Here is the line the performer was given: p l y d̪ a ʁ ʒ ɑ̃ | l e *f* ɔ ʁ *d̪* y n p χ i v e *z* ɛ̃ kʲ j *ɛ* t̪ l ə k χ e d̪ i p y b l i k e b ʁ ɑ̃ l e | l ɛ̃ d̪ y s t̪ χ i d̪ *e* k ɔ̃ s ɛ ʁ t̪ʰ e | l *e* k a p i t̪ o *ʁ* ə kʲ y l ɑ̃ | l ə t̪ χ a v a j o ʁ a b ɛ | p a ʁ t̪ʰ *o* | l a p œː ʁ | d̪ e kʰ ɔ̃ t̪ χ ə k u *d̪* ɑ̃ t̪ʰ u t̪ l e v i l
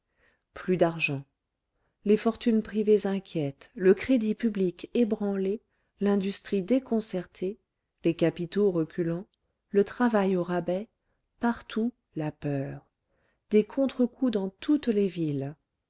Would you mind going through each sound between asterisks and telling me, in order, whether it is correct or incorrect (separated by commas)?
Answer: correct, incorrect, correct, correct, correct, correct, correct, incorrect, correct